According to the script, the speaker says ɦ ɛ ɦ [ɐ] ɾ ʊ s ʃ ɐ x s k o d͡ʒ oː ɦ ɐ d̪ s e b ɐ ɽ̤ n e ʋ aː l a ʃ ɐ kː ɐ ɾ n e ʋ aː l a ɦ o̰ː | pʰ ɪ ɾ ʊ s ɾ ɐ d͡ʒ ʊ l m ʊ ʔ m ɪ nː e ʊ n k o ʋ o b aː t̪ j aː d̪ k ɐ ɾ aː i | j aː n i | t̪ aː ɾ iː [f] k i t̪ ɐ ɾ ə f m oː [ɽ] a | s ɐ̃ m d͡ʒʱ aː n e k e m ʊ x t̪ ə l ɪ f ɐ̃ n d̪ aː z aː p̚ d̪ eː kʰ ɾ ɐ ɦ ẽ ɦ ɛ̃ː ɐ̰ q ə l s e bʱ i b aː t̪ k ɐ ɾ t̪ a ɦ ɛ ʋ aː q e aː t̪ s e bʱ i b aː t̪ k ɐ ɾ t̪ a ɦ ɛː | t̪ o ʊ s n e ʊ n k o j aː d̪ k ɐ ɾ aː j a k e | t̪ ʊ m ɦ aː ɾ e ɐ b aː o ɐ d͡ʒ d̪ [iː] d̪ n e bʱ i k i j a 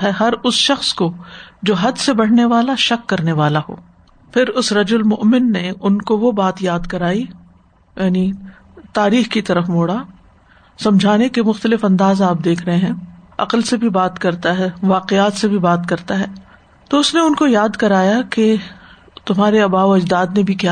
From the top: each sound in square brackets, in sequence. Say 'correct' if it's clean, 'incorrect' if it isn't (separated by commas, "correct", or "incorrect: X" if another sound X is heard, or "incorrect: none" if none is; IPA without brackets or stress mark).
correct, incorrect: x, correct, incorrect: aː